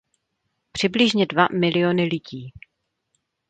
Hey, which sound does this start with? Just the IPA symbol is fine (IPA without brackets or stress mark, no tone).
p